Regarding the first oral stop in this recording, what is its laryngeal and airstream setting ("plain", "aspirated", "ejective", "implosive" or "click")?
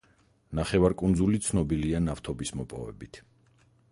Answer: ejective